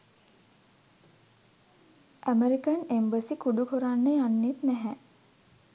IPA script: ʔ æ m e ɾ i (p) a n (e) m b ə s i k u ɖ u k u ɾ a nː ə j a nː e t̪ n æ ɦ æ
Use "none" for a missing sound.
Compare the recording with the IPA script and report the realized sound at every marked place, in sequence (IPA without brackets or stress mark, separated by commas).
k, e